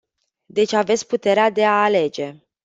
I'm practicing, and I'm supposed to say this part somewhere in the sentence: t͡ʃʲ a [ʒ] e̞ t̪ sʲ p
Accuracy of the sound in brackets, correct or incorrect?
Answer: incorrect